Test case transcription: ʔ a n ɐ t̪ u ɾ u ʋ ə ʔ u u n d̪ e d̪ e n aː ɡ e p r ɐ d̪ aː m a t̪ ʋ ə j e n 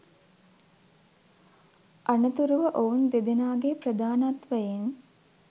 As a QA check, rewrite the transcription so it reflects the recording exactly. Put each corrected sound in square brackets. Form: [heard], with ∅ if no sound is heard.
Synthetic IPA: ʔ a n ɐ t̪ u ɾ u ʋ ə ʔ [o] u n d̪ e d̪ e n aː ɡ e p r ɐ d̪ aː [n] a t̪ ʋ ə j e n